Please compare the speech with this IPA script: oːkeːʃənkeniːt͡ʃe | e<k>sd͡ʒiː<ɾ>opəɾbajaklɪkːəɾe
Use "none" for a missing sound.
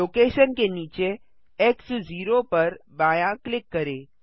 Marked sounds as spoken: k, ɾ

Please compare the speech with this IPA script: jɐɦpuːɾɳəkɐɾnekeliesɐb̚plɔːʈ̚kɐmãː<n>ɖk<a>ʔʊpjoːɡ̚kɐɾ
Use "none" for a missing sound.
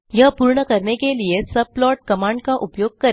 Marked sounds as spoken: ɳ, a

